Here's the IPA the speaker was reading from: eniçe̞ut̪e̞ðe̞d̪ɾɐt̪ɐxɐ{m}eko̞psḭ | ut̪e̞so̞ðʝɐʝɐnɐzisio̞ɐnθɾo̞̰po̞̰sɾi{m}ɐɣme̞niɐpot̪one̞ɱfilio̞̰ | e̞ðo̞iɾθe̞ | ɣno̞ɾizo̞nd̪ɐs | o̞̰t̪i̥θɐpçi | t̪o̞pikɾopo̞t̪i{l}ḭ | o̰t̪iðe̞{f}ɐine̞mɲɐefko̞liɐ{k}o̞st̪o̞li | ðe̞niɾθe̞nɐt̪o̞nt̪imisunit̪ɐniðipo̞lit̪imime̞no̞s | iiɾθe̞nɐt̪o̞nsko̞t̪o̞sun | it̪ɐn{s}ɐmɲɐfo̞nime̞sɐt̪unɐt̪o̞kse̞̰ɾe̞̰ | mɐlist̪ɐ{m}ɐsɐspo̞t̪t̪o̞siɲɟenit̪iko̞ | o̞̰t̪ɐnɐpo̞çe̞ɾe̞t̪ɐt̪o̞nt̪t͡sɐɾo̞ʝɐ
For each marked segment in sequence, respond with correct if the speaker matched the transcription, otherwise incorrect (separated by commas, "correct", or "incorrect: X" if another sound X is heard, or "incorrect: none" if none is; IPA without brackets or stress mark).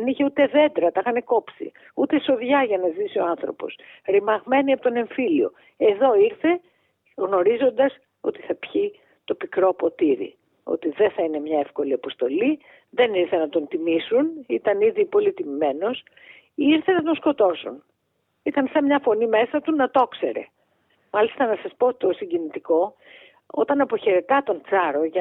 incorrect: n, correct, incorrect: ɾ, incorrect: θ, incorrect: p, correct, incorrect: n